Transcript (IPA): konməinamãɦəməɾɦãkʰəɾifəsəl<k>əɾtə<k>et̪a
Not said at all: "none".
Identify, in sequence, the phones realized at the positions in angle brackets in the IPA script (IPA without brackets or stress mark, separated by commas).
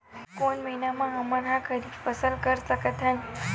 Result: k, k